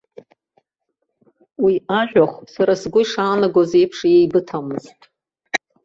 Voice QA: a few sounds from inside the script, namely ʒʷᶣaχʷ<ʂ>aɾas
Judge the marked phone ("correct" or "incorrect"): incorrect